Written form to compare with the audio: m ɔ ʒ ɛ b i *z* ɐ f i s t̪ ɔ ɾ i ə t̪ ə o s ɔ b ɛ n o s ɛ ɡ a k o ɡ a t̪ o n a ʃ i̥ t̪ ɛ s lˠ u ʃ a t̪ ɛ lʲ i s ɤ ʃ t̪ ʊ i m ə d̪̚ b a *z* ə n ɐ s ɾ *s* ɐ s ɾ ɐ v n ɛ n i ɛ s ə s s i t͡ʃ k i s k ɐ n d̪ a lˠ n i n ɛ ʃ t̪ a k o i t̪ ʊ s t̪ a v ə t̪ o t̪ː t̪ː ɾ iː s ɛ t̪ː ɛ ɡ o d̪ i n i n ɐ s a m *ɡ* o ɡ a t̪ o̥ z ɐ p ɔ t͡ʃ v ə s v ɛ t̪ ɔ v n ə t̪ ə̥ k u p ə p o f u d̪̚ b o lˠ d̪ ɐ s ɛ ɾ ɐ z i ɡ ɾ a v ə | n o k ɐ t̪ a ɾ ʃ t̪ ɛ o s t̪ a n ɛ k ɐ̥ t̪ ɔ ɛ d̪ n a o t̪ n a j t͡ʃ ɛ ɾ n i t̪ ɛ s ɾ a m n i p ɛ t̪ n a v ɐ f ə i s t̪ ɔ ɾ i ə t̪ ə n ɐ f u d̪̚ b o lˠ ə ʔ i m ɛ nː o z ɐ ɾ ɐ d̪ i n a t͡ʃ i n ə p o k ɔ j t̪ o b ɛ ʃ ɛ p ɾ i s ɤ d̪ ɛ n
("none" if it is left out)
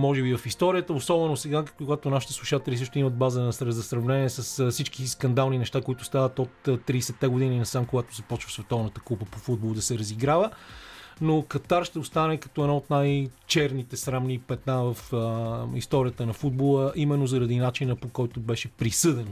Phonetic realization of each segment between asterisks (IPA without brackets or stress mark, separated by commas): v, z, z, k